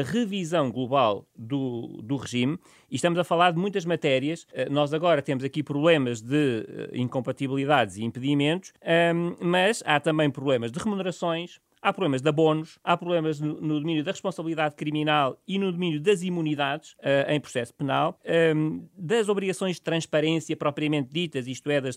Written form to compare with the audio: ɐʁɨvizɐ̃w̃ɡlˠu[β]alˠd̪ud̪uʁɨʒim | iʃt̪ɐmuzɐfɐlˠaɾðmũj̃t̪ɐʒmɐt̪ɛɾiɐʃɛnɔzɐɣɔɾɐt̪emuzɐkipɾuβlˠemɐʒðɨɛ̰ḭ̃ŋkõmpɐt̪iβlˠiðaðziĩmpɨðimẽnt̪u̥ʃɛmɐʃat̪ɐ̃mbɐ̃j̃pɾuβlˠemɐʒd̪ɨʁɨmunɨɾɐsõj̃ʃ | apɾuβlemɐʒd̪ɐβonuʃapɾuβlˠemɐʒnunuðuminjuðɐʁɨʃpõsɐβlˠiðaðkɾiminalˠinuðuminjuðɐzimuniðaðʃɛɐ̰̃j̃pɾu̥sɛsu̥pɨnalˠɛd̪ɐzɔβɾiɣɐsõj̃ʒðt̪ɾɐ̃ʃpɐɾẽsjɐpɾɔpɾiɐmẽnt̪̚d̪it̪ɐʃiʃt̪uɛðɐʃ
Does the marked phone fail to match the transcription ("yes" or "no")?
no